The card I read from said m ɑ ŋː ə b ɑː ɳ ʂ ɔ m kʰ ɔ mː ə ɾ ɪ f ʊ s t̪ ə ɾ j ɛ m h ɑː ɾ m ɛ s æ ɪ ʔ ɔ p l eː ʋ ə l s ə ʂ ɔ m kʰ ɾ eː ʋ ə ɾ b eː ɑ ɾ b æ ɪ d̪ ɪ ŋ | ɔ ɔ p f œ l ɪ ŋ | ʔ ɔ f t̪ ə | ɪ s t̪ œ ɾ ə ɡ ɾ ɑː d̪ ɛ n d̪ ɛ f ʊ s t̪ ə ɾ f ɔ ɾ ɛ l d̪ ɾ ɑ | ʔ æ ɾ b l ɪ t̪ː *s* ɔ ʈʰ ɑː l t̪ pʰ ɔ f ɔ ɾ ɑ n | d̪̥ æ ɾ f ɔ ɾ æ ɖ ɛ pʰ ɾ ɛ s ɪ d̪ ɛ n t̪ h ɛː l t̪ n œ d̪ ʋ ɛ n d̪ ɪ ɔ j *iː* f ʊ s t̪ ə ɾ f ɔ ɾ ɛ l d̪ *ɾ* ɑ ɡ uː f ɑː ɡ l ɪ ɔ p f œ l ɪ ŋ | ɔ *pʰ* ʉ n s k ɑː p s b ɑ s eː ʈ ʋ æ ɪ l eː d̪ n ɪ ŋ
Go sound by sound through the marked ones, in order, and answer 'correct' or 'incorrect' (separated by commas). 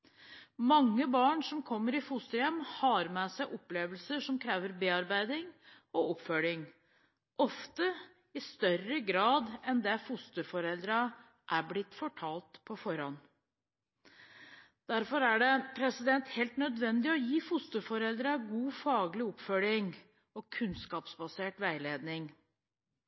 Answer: incorrect, correct, correct, incorrect